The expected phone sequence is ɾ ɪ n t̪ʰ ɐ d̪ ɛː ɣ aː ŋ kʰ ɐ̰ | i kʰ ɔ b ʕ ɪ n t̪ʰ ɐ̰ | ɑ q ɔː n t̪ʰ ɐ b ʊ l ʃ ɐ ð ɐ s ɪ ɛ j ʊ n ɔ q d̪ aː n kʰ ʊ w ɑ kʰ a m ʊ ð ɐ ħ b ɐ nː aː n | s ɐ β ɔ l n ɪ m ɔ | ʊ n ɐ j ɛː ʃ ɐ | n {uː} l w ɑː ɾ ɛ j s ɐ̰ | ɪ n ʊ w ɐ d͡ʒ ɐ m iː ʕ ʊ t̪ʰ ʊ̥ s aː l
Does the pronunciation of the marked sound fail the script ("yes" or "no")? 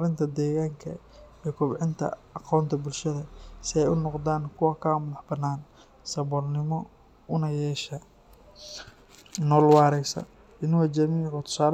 yes